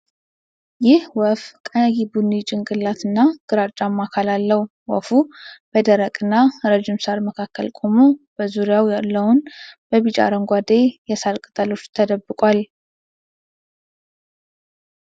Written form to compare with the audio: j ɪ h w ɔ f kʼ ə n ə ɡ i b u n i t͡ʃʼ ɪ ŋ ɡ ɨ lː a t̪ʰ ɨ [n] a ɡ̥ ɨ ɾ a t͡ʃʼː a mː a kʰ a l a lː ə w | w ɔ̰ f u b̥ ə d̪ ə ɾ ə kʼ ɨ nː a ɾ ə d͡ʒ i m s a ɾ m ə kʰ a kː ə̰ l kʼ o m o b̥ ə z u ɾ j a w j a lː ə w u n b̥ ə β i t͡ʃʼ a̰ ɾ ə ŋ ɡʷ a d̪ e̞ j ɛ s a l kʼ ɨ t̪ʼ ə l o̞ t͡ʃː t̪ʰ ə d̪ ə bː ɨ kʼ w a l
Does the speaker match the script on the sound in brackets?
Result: no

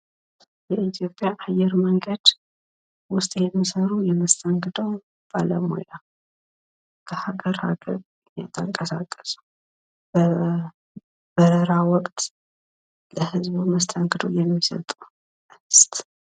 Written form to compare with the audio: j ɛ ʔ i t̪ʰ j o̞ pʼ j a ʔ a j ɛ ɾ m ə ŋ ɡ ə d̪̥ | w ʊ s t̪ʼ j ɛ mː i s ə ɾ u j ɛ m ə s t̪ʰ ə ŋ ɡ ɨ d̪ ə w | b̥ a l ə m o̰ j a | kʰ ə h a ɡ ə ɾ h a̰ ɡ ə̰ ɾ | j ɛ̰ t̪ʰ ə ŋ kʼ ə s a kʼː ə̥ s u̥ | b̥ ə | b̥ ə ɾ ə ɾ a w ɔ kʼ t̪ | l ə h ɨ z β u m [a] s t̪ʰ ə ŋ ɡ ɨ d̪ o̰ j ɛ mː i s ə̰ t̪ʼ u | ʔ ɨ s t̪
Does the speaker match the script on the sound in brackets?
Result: no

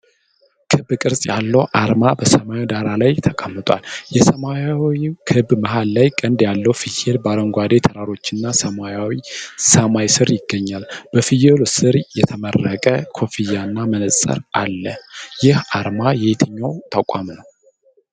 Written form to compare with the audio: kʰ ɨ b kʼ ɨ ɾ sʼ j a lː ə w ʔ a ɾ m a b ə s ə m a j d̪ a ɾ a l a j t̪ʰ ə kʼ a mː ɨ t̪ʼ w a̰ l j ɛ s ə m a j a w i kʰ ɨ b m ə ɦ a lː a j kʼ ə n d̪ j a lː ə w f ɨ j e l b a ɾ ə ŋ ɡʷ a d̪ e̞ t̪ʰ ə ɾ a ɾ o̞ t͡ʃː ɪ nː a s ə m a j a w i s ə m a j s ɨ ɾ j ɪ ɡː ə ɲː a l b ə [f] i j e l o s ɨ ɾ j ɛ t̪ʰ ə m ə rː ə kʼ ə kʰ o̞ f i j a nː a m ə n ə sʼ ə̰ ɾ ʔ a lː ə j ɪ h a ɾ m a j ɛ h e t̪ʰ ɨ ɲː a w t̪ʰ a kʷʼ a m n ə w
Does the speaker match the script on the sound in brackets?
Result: yes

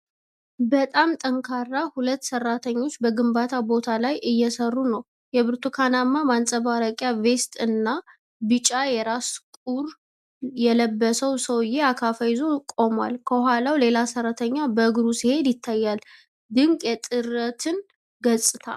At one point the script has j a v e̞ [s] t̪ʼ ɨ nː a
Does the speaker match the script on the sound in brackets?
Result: yes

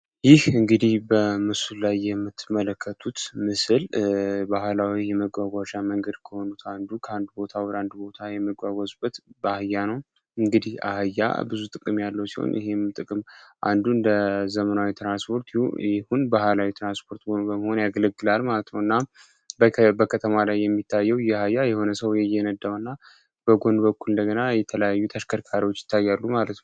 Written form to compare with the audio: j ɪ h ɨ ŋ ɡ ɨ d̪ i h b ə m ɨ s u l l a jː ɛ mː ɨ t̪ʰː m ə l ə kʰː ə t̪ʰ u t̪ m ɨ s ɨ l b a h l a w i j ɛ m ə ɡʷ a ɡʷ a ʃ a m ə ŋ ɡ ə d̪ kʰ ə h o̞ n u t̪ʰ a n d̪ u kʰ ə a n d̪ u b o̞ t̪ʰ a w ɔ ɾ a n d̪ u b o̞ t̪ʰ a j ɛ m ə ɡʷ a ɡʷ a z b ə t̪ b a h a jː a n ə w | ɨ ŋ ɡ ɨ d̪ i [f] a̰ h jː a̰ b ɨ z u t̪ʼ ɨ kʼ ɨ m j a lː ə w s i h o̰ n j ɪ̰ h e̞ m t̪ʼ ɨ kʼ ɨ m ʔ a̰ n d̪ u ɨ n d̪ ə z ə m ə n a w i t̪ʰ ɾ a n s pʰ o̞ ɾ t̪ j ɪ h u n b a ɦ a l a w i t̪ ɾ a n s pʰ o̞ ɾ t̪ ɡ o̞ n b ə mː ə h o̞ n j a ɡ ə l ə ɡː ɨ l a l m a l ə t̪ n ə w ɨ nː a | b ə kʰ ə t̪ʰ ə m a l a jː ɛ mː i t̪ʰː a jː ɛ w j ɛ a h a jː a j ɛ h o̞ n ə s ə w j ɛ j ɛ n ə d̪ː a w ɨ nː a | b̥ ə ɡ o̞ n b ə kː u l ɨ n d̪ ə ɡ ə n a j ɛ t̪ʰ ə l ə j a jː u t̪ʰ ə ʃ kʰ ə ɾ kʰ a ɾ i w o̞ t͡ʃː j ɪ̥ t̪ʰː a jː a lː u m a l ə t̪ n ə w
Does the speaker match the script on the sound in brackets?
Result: no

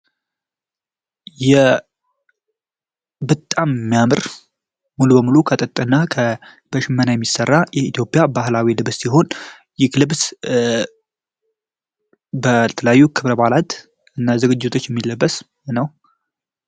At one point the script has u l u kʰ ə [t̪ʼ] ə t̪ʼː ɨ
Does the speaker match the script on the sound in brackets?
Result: yes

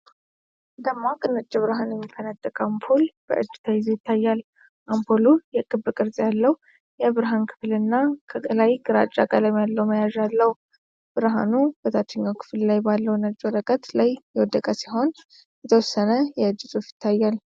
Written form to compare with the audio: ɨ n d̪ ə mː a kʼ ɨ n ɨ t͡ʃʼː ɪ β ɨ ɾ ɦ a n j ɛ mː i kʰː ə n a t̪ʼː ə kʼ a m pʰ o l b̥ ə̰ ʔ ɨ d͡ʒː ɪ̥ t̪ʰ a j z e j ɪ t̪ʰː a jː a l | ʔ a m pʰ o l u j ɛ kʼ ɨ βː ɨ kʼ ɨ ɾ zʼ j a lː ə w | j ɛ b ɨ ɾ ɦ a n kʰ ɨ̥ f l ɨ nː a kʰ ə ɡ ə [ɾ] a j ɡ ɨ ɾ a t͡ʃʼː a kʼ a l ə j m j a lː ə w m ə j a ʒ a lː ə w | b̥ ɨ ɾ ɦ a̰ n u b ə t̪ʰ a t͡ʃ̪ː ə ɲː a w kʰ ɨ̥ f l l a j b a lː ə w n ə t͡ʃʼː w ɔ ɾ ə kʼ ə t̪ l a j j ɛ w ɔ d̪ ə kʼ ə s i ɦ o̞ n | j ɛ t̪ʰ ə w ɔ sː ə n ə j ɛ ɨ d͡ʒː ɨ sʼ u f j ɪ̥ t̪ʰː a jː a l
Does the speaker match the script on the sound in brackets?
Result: no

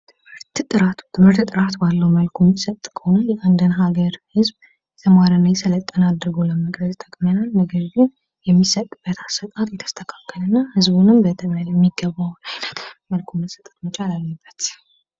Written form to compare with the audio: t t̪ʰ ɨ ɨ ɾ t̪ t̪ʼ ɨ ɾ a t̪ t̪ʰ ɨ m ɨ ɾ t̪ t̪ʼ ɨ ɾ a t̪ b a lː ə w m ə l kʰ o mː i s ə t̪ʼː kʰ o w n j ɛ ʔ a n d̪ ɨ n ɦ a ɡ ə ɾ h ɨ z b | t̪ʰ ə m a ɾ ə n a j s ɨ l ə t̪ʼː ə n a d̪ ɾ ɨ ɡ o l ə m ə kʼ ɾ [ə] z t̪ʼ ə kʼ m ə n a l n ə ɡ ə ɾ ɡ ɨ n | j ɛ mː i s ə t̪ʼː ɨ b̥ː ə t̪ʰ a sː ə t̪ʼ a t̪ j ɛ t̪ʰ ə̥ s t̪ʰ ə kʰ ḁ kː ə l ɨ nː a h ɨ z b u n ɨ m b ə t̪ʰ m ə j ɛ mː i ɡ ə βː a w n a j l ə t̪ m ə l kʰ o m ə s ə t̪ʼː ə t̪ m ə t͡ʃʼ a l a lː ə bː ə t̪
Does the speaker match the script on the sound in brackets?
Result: yes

